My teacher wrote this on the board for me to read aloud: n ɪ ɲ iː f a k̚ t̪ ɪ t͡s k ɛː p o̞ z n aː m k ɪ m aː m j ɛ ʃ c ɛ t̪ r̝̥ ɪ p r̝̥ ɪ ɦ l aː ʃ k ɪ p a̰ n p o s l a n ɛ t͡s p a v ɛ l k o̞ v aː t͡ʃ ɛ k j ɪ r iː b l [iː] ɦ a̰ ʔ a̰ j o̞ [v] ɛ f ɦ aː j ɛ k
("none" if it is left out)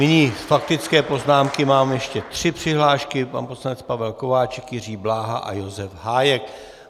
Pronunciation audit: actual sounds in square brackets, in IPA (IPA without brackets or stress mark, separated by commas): aː, z